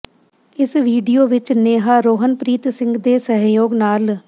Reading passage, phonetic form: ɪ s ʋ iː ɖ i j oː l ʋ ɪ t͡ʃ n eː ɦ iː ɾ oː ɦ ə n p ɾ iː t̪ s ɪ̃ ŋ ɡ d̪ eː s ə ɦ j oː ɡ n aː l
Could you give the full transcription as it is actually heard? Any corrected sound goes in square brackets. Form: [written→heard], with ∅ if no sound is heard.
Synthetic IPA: ɪ s ʋ iː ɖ i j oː [l→∅] ʋ ɪ t͡ʃ n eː ɦ [iː→aː] ɾ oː ɦ ə n p ɾ iː t̪ s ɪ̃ ŋ ɡ d̪ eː s ə ɦ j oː ɡ n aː l